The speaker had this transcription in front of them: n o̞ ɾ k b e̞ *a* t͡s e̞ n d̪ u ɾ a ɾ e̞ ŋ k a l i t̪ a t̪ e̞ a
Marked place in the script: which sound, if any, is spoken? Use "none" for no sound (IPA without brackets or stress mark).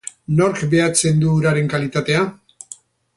a